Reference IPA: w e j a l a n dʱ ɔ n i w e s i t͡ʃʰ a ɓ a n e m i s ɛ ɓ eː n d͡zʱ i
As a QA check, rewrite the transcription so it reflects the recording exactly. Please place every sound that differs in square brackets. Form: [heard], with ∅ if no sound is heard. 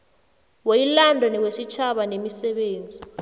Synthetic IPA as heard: w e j [i] l a n dʱ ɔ n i w e s i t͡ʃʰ a ɓ a n e m i s ɛ ɓ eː n d͡zʱ i

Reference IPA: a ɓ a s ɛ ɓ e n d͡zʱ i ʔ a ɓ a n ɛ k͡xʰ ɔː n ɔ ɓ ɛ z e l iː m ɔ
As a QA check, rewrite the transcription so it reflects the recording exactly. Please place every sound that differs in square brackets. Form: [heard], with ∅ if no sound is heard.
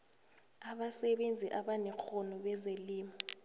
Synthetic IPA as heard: a ɓ a s ɛ ɓ e n d͡zʱ i ʔ a ɓ a n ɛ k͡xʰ [ɔ] n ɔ ɓ ɛ z e l iː m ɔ

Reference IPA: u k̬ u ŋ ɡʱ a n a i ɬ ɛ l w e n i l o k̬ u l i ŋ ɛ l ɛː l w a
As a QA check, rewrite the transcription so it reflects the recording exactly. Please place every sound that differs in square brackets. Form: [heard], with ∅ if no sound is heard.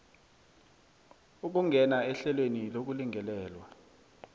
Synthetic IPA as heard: u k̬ u ŋ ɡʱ [ɛ] n a [ɛ] ɬ ɛ l w e n i l o k̬ u l i ŋ ɛ l ɛː l w a

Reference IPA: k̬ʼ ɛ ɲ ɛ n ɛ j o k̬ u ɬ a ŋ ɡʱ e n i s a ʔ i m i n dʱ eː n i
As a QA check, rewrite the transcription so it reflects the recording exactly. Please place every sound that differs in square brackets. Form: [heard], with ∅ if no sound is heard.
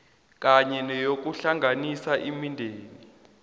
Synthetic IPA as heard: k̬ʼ [a] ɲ ɛ n ɛ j o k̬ u ɬ a ŋ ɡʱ [a] n i s a ʔ i m i n dʱ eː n i

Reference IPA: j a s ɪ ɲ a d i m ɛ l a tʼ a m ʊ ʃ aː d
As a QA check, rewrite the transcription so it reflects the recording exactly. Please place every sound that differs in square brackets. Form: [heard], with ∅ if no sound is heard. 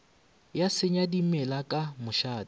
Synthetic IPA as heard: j a s ɪ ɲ a d i m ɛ l a [kʼ] a m ʊ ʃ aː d

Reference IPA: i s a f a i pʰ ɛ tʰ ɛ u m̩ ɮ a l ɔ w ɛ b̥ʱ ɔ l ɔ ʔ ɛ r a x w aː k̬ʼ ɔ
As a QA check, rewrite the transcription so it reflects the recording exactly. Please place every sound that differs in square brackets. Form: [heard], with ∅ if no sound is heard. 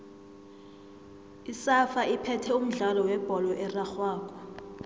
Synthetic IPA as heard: i s a f a i pʰ ɛ tʰ ɛ u m̩ ɮ a l ɔ w ɛ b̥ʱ ɔ l ɔ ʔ ɛ r a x w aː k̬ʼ ɔ

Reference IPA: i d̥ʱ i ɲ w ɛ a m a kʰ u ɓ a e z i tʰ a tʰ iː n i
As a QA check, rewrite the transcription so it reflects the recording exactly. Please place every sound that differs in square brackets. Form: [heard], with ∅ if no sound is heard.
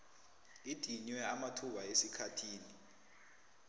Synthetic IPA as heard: i d̥ʱ i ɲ w ɛ a m a [tʰ] u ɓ a e [s] i [kʰ] a tʰ iː n i

